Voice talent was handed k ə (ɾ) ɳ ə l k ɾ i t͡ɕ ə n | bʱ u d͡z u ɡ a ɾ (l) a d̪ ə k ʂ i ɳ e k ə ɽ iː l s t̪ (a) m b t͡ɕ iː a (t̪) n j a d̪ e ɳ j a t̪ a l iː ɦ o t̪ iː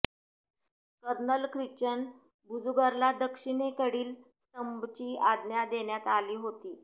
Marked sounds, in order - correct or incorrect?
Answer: correct, correct, incorrect, incorrect

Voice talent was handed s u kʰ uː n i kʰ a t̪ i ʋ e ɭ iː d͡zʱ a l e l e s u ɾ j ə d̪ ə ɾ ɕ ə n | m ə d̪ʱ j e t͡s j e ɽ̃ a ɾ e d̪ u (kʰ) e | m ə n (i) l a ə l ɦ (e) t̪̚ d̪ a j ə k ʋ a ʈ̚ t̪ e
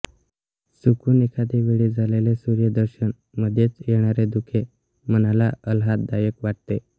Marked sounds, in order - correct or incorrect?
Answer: correct, incorrect, incorrect

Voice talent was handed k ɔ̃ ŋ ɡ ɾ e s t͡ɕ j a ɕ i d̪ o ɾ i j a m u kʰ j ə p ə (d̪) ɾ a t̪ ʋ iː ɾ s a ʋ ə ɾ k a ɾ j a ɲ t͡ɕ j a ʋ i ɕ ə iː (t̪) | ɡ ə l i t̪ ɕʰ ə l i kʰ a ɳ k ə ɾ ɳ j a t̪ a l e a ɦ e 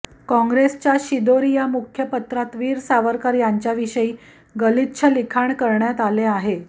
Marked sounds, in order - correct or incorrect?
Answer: incorrect, incorrect

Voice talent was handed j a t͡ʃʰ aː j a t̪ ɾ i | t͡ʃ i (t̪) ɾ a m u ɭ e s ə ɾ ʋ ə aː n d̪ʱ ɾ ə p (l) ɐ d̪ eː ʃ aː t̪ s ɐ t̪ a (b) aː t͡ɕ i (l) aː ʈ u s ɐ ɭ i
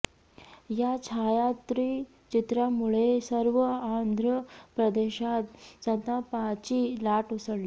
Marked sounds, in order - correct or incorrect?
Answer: correct, incorrect, incorrect, correct

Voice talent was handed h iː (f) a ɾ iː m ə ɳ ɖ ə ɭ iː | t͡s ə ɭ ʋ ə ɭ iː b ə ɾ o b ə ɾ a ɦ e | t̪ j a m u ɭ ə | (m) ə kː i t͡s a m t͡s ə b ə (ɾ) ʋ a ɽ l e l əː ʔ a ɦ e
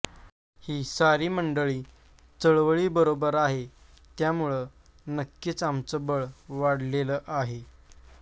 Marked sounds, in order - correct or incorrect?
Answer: incorrect, incorrect, incorrect

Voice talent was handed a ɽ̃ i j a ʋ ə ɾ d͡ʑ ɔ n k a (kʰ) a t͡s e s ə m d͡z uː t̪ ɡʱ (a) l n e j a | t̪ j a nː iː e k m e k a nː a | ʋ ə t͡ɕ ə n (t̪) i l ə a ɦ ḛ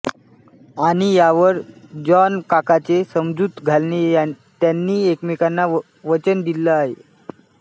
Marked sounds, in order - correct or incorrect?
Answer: incorrect, correct, incorrect

